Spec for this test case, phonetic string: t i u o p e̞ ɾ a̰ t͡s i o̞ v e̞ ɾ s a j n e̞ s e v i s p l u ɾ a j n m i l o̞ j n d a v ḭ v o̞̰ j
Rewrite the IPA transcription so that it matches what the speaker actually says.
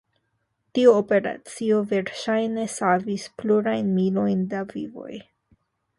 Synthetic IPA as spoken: t i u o p e̞ ɾ a̰ t͡s i o̞ v e̞ ɾ ʃ a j n e̞ s a v i s p l u ɾ a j n m i l o̞ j n d a v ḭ v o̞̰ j